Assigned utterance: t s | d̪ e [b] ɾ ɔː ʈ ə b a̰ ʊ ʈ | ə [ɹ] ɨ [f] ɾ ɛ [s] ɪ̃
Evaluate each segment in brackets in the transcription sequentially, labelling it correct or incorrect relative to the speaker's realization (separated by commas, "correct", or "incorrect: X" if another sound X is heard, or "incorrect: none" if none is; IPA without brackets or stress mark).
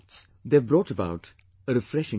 correct, incorrect: ɾ, correct, incorrect: ʃ